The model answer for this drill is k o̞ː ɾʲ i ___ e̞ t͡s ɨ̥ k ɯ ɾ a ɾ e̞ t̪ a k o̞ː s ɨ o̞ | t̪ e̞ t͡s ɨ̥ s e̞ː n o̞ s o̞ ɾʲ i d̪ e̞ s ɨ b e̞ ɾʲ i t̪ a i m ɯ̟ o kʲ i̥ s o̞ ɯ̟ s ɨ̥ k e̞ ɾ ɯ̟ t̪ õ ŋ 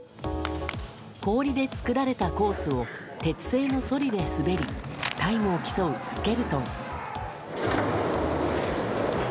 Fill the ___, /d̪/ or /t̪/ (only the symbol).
d̪